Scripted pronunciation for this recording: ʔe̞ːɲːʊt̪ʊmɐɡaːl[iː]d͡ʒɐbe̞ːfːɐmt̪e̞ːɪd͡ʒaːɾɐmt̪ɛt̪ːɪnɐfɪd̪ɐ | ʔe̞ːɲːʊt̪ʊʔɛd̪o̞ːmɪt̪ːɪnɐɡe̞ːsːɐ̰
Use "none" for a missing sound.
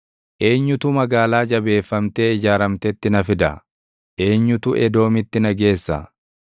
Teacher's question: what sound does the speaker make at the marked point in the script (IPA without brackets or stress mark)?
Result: aː